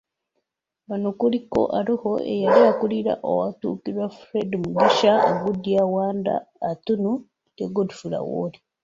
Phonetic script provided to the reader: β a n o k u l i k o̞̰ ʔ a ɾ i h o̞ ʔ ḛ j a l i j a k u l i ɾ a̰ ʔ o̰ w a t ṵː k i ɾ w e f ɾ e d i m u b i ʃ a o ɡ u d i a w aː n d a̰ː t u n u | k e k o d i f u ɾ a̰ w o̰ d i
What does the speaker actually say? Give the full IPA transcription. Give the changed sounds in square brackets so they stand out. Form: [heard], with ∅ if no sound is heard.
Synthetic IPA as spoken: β a n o k u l i k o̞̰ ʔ a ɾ i h o̞ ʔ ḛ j a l i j a k u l i ɾ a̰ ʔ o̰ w a t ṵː k i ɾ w [a] f ɾ e d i m u [ɡ] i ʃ a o ɡ u d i a w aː n d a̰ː t u n u | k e [ɡ] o d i f u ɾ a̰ w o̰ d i